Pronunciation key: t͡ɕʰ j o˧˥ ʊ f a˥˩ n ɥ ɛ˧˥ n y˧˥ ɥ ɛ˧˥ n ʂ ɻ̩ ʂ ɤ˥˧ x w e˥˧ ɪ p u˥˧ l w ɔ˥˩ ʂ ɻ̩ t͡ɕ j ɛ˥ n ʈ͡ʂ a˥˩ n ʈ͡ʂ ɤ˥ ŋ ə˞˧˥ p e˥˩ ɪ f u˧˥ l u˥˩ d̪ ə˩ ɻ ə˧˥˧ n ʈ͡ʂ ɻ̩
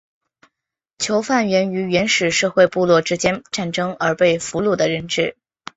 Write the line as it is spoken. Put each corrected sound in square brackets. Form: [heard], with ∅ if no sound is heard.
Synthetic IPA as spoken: t͡ɕʰ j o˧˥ ʊ f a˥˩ n ɥ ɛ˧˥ n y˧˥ ɥ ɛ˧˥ n ʂ ɻ̩ ʂ ɤ˥˧ x w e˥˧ ɪ p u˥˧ l w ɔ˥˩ [ʈ͡ʂ] ɻ̩ t͡ɕ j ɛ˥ n ʈ͡ʂ a˥˩ n ʈ͡ʂ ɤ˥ ŋ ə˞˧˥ p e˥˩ ɪ f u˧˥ l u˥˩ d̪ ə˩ ɻ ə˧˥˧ n ʈ͡ʂ ɻ̩